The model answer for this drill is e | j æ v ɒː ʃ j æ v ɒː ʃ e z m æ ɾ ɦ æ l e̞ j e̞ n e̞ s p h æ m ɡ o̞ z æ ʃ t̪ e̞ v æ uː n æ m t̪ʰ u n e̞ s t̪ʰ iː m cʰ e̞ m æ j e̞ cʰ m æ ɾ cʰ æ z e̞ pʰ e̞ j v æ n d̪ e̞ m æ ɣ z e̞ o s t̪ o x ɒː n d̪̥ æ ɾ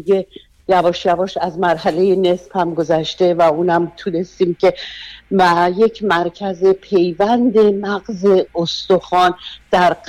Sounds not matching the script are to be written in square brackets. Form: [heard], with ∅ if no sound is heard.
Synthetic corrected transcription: e | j æ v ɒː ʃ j æ v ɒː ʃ [æ] z m æ ɾ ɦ æ l e̞ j e̞ n e̞ s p h æ m ɡ o̞ z æ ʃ t̪ e̞ v æ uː n æ m t̪ʰ u n e̞ s [t̪] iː m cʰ e̞ m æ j e̞ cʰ m æ ɾ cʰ æ z e̞ pʰ e̞ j v æ n d̪ e̞ m æ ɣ z e̞ o s t̪ o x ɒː n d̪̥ æ ɾ